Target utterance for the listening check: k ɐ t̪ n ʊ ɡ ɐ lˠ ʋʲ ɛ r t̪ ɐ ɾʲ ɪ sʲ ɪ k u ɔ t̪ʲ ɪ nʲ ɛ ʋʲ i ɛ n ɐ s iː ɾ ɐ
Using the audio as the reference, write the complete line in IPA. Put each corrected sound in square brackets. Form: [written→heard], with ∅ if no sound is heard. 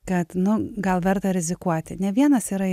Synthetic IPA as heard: k ɐ t̪ n ʊ ɡ ɐ lˠ ʋʲ ɛ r t̪ ɐ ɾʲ ɪ [sʲ→zʲ] ɪ k u ɔ t̪ʲ ɪ nʲ ɛ ʋʲ i ɛ n ɐ s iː ɾ ɐ